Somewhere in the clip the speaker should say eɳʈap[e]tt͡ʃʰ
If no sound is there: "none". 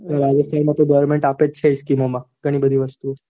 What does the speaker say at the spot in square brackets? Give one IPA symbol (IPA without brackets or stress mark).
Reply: e